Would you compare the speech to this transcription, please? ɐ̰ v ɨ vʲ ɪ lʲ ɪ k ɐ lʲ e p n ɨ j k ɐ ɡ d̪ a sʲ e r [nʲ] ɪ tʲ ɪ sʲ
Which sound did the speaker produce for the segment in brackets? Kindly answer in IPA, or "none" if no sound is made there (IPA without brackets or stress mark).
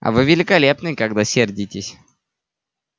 dʲ